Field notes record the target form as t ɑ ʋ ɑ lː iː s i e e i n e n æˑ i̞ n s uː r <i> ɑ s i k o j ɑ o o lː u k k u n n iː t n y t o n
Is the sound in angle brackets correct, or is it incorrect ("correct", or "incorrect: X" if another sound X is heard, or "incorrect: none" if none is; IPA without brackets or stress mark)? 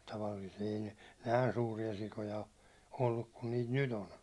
correct